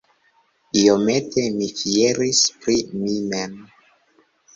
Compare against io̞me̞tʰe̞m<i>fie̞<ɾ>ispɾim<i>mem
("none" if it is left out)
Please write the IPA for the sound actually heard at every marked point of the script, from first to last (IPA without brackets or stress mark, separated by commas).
i, ɾ, i